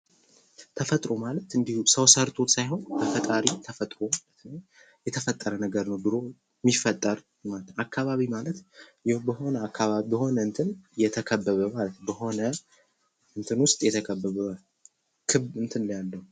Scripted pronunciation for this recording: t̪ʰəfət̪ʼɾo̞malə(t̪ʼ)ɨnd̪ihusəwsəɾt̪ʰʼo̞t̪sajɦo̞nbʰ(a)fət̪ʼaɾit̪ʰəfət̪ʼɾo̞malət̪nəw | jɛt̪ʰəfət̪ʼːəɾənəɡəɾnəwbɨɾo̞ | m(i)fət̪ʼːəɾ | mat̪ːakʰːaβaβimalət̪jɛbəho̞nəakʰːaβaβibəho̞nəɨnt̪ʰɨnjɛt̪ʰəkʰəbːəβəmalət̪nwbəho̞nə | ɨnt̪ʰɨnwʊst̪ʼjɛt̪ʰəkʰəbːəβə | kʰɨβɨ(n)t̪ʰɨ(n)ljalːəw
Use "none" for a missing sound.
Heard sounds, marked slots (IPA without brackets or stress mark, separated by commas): t̪, ə, i, n, n